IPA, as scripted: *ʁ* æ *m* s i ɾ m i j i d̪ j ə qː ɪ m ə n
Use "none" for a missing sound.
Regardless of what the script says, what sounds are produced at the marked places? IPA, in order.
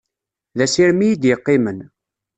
ð, none

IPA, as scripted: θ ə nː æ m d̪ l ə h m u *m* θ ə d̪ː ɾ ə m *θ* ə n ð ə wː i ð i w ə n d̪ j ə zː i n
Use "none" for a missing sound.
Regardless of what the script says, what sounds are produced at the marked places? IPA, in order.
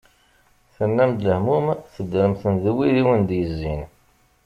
m, θ

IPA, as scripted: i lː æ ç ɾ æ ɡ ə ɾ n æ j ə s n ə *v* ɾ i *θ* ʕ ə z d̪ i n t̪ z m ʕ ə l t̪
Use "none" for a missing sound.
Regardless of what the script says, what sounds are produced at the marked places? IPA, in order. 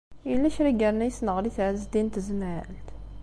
ʁ, θ

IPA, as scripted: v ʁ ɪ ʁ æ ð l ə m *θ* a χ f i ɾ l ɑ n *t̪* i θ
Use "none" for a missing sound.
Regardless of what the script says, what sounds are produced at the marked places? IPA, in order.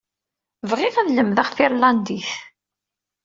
ð, d̪

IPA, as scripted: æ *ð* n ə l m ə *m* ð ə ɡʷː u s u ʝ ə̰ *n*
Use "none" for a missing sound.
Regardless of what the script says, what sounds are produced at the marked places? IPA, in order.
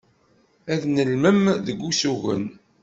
ð, m, n

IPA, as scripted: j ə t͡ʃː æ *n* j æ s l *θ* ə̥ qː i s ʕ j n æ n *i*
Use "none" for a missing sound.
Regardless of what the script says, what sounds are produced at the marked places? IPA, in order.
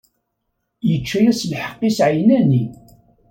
none, ħ, i

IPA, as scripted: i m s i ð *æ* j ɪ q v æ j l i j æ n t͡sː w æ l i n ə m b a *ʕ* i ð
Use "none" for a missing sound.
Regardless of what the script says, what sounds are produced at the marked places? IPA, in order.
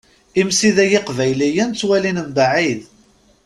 æ, ʕ

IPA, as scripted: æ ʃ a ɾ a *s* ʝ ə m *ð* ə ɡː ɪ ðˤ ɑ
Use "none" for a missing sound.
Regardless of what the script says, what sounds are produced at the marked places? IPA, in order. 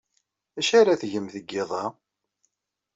θ, θ

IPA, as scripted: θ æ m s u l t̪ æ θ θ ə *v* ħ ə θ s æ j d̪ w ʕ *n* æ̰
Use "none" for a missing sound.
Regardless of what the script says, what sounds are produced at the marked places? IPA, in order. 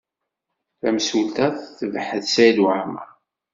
v, m

